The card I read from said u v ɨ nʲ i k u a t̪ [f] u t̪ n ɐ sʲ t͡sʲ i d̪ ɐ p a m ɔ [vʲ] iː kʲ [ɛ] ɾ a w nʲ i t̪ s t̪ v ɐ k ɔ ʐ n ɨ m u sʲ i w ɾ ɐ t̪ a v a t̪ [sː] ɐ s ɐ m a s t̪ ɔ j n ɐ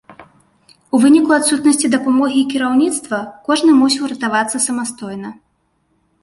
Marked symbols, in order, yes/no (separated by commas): no, no, no, yes